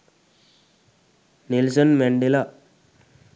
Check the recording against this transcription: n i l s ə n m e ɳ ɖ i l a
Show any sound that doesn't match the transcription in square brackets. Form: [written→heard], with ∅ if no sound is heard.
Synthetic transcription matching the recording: n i l s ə n m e ɳ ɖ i l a